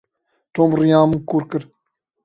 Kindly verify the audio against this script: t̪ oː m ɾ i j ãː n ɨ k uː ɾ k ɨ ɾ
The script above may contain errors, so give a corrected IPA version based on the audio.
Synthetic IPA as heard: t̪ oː m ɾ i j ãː m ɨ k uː ɾ k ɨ ɾ

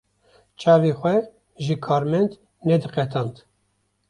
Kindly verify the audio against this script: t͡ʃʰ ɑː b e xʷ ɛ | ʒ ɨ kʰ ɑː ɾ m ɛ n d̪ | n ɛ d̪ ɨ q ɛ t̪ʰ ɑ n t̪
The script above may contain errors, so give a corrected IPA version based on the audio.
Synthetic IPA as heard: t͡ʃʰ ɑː v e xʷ ɛ | ʒ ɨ kʰ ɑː ɾ m ɛ n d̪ | n ɛ d̪ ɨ q ɛ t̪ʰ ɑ n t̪

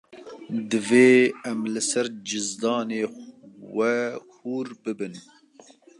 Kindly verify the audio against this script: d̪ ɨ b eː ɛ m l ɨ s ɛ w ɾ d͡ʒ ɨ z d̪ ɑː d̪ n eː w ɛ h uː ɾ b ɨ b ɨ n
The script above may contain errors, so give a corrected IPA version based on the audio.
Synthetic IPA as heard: d̪ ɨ v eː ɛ m l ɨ s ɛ ɾ d͡ʒ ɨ z d̪ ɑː n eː w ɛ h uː ɾ b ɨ b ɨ n

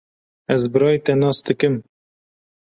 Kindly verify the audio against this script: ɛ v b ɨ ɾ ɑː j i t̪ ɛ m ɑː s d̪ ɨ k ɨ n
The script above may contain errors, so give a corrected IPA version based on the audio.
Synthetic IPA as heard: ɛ z b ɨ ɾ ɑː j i t̪ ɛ n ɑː s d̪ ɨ k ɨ m

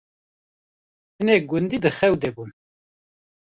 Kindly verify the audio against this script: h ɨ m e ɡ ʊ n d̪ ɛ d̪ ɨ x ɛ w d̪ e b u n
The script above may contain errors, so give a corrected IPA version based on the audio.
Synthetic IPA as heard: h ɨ n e ɡ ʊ n d̪ i d̪ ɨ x ɛ w d̪ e b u n

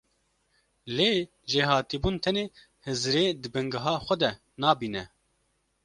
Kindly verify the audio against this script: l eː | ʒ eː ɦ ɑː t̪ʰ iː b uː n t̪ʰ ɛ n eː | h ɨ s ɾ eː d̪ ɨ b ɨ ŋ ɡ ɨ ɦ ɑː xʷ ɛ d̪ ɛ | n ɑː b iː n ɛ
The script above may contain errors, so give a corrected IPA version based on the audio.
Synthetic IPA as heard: l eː | ʒ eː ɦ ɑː t̪ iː b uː n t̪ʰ ɛ n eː | h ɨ z ɾ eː d̪ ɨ b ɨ ŋ ɡ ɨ ɦ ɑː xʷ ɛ d̪ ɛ | n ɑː b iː n ɛ

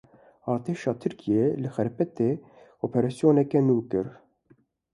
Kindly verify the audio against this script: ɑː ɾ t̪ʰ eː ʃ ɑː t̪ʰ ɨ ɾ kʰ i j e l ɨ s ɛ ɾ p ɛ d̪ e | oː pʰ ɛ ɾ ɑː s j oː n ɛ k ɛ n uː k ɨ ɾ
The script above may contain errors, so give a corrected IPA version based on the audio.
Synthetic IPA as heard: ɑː ɾ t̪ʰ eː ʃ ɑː t̪ʰ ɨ ɾ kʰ i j e l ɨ x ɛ ɾ p ɛ t̪ e | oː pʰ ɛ ɾ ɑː s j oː n ɛ k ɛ n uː k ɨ ɾ

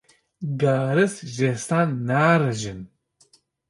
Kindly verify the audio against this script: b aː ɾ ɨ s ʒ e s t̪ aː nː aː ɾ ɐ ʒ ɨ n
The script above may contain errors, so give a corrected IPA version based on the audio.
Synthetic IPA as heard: ɡ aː ɾ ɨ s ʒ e s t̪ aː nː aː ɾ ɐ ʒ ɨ n

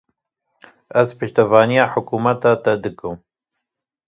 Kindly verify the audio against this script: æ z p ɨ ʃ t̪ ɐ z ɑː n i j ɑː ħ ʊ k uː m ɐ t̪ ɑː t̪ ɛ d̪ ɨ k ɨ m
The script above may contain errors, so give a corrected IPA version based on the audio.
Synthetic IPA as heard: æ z p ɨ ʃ t̪ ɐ v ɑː n i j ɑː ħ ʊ k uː m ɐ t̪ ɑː t̪ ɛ d̪ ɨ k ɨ m

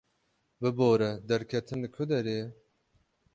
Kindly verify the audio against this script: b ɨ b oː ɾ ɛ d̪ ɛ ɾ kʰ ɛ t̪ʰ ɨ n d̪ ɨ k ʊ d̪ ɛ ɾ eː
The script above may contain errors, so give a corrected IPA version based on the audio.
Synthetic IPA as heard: b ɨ b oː ɾ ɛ d̪ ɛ ɾ kʰ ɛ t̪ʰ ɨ n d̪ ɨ kʰ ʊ d̪ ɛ ɾ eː

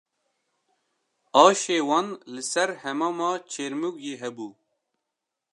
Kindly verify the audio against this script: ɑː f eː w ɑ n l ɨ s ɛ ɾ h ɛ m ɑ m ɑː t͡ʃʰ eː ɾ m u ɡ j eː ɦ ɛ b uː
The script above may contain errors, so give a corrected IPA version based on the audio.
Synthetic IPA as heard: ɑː ʃ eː w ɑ n l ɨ s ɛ ɾ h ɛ m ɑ m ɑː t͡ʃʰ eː ɾ m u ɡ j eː ɦ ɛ b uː

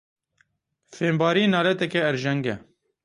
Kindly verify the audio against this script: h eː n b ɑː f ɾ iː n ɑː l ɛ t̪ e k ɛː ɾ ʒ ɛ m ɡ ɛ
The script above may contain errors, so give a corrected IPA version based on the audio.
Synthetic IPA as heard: f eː m b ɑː ɾ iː n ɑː l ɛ t̪ ɛ k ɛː ɾ ʒ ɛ ŋ ɡ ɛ

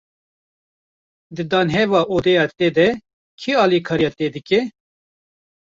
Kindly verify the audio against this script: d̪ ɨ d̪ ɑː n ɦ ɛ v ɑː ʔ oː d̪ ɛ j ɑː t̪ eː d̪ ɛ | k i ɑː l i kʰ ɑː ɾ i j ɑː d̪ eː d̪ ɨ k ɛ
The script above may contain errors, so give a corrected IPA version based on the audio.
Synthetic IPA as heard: d̪ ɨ d̪ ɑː n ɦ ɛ v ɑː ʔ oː d̪ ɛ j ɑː t̪ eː d̪ ɛ | kʰ i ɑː l i kʰ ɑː ɾ i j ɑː t̪ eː d̪ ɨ k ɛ

